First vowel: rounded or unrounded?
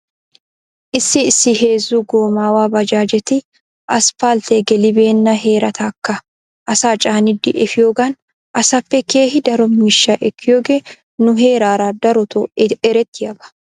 unrounded